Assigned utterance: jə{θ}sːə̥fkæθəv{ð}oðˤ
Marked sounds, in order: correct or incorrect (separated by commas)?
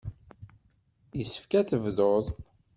incorrect, correct